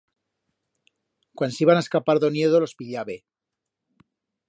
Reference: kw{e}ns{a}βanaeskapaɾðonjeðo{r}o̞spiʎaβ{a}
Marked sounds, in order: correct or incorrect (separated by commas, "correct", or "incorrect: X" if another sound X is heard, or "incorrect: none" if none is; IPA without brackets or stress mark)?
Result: incorrect: a, incorrect: i, incorrect: l, incorrect: e